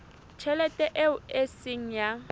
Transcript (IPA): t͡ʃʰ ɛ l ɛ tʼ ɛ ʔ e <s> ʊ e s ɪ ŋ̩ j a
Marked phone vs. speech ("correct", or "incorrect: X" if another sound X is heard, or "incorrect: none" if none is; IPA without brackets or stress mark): incorrect: none